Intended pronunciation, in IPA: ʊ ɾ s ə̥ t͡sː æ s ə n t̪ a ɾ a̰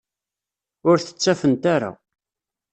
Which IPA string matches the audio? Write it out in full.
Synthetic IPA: ʊ ɾ θ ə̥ t͡sː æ f ə n t̪ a ɾ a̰